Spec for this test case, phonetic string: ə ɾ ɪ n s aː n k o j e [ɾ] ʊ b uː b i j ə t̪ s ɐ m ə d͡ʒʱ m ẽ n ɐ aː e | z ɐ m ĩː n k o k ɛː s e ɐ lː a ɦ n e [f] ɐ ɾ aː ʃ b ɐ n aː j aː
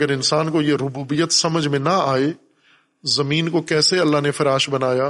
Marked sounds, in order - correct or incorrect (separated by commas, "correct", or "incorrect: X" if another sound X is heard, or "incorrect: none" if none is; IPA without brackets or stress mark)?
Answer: correct, correct